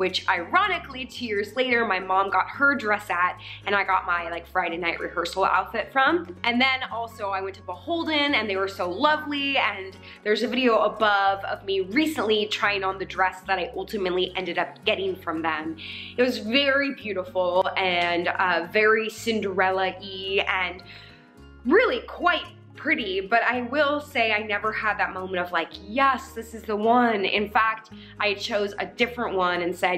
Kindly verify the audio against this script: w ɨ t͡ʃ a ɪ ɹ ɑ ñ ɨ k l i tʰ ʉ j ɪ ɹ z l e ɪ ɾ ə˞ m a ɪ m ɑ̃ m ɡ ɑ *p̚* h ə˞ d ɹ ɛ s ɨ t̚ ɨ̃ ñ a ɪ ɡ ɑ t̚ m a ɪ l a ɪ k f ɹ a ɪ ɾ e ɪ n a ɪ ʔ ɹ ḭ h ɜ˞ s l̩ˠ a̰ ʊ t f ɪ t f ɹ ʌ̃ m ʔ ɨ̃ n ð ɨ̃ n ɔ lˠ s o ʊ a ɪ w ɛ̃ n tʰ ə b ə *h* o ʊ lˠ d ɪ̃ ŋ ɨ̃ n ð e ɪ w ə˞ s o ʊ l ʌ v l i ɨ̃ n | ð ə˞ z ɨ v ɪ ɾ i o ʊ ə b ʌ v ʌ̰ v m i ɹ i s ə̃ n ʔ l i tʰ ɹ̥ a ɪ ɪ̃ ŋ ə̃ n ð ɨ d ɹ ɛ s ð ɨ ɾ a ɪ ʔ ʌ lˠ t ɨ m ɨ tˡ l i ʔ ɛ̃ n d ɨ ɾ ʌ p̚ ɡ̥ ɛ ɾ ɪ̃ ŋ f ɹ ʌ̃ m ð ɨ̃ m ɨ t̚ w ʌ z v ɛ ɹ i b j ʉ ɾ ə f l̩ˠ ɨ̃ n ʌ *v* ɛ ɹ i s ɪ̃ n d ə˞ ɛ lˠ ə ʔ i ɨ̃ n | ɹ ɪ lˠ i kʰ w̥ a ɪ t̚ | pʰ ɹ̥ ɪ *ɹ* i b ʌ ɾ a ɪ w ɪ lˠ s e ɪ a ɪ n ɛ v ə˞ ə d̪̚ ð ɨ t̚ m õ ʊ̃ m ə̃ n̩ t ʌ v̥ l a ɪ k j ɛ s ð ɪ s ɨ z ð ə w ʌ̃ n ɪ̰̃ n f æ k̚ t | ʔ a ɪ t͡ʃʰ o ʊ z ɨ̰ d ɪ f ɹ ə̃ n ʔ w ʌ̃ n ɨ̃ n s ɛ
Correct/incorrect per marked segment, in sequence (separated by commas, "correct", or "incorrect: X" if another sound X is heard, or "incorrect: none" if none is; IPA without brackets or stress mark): incorrect: t̚, correct, correct, incorrect: ɾ